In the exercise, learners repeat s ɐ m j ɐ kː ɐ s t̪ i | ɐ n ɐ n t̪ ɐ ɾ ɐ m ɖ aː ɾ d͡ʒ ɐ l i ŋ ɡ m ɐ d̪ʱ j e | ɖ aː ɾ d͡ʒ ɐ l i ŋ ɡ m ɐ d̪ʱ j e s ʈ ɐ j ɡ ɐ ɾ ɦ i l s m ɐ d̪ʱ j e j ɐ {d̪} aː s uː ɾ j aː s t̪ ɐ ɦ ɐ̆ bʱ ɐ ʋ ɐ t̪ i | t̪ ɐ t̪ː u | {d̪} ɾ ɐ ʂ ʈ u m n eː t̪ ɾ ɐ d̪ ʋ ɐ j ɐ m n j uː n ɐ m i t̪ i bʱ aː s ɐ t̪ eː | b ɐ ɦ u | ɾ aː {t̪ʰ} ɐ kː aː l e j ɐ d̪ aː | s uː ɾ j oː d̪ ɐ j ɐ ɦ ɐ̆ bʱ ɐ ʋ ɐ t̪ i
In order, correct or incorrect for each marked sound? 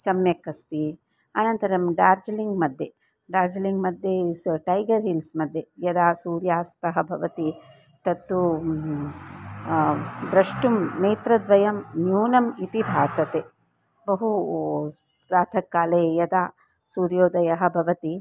correct, correct, correct

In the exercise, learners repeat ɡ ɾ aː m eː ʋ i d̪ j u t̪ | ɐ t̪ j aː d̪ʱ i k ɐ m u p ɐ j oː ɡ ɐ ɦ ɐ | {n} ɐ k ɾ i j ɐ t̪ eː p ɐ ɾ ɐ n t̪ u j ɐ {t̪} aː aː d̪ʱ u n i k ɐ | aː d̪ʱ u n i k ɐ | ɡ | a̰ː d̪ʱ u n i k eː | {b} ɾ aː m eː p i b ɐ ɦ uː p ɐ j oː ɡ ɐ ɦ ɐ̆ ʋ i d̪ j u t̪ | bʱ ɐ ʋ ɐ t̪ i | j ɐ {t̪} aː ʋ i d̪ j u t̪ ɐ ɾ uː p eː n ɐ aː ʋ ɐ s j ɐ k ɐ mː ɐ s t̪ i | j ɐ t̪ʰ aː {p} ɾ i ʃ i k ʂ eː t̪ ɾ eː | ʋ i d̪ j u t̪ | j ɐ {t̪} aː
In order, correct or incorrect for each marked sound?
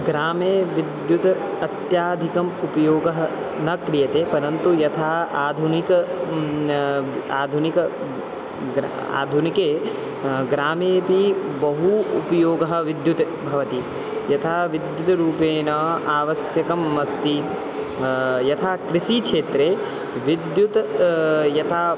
correct, incorrect: t̪ʰ, incorrect: ɡ, incorrect: t̪ʰ, incorrect: k, incorrect: t̪ʰ

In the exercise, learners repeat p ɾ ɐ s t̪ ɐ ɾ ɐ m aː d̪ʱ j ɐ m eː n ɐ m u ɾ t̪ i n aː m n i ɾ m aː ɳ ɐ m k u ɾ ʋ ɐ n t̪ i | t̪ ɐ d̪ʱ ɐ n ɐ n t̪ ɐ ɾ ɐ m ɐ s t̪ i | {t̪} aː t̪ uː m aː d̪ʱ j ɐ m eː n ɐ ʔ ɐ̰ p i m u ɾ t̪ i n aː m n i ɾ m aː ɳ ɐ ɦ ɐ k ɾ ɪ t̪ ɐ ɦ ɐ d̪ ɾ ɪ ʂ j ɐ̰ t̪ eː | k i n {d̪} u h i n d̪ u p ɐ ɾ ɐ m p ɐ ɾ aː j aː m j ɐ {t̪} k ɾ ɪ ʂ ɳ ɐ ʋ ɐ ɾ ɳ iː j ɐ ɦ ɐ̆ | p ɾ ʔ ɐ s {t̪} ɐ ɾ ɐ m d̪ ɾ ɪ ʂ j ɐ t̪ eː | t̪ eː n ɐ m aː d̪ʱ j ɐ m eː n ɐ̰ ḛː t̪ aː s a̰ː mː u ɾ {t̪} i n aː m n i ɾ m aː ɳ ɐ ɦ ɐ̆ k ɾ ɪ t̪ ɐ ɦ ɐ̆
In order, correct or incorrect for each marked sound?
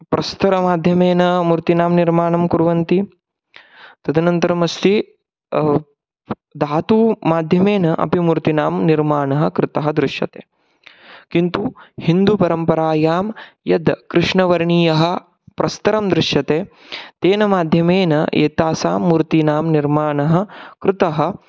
incorrect: d̪, incorrect: t̪, incorrect: d̪, correct, correct

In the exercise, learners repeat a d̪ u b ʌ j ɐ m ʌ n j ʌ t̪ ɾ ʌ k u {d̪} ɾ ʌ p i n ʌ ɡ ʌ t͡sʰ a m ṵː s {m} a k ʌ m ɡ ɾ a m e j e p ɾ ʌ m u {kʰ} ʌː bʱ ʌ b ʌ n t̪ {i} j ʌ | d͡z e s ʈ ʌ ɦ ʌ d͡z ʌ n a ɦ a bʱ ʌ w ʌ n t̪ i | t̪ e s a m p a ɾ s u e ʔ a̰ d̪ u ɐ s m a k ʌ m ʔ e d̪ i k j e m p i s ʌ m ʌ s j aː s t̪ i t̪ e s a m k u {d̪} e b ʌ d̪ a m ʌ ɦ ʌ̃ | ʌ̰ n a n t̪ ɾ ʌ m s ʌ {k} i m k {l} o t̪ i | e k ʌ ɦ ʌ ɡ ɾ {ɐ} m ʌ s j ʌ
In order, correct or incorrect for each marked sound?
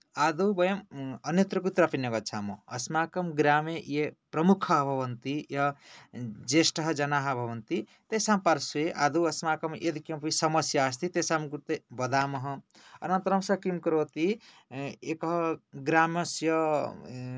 incorrect: t̪, correct, correct, correct, incorrect: t̪, correct, incorrect: ɾ, incorrect: a

